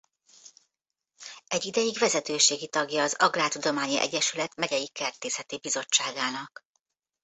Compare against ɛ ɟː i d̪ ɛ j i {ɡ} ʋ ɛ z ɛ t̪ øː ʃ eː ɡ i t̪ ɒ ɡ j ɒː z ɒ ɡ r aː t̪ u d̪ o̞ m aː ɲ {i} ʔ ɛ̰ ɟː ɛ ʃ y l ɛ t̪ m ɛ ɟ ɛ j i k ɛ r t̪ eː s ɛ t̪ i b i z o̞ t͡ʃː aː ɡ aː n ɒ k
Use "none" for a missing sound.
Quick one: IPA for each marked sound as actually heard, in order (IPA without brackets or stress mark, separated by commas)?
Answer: ɡ, i